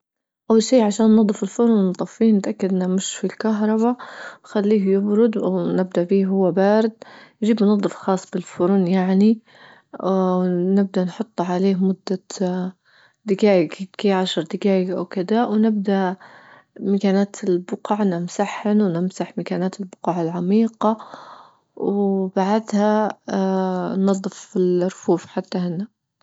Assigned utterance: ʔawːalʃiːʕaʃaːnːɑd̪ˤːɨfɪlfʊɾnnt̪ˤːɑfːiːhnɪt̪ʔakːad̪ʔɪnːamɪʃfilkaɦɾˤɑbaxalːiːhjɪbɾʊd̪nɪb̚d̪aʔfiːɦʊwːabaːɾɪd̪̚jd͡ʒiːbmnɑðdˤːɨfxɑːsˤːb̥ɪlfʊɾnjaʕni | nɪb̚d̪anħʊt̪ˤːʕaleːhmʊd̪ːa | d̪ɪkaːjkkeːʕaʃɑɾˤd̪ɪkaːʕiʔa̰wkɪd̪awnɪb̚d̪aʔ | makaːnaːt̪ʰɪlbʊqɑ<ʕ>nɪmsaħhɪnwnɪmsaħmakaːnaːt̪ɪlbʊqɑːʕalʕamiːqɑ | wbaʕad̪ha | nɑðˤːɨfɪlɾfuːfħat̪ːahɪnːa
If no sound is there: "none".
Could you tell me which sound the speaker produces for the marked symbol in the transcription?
ʕ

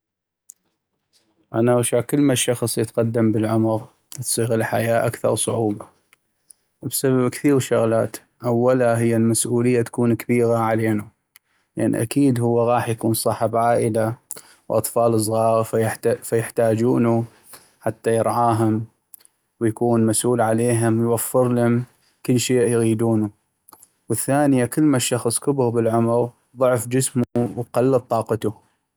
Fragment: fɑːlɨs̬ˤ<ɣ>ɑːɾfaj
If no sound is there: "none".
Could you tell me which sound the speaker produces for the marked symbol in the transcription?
ɣ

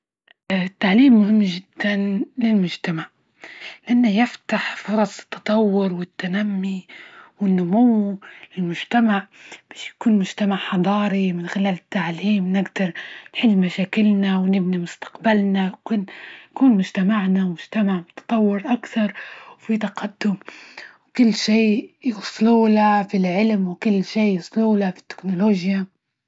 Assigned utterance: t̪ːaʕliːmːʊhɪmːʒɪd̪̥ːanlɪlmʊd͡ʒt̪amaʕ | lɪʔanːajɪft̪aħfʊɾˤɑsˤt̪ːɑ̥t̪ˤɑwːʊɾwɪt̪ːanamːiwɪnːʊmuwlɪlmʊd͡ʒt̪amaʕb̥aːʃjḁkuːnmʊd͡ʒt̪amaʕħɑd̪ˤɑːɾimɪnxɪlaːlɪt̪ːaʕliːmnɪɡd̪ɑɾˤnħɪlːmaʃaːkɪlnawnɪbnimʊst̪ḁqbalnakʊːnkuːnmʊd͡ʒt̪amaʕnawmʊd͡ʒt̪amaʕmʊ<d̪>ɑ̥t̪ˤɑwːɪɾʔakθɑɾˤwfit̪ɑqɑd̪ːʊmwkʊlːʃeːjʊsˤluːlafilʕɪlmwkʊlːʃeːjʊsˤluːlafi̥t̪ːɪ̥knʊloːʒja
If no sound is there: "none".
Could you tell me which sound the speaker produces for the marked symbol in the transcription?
t̪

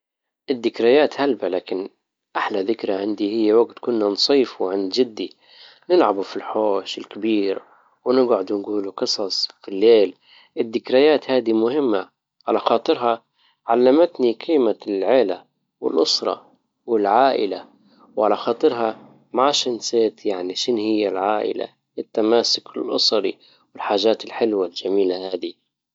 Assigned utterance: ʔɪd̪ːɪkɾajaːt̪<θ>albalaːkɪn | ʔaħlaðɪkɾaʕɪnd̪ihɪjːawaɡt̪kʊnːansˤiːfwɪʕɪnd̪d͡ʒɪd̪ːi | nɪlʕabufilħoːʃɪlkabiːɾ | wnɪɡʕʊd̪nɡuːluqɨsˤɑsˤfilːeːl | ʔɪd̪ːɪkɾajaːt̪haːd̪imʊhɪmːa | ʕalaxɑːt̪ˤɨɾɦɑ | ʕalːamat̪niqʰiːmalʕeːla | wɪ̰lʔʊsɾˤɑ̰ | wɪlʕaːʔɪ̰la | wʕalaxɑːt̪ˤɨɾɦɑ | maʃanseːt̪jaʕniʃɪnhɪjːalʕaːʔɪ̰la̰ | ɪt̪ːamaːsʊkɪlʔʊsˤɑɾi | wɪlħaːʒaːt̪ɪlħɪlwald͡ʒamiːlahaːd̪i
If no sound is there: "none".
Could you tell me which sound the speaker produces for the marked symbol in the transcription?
h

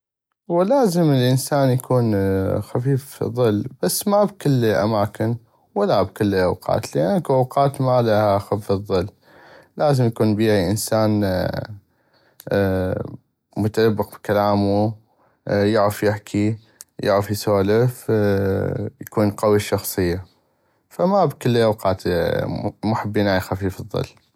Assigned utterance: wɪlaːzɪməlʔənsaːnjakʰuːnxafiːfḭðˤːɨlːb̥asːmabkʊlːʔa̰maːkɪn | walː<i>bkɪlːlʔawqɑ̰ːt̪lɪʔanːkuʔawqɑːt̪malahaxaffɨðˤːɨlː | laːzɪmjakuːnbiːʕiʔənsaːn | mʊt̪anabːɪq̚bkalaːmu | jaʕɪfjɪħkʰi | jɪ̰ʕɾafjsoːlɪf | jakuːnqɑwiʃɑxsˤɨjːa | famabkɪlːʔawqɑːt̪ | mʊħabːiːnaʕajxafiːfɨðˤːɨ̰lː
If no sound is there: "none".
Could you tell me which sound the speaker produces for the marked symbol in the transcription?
a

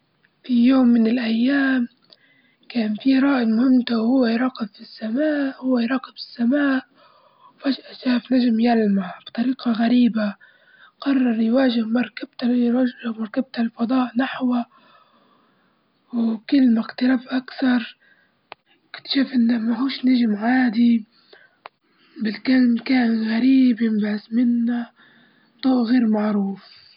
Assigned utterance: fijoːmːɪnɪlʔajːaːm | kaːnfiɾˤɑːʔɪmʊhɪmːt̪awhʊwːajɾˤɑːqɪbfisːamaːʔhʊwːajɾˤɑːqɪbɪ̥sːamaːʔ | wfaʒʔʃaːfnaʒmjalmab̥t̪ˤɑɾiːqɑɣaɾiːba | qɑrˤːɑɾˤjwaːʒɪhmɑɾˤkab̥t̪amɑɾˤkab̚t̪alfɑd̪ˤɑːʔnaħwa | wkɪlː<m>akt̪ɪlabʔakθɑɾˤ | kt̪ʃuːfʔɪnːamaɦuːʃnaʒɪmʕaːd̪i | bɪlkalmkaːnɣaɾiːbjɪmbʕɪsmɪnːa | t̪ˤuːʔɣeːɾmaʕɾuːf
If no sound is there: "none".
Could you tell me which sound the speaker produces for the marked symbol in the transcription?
m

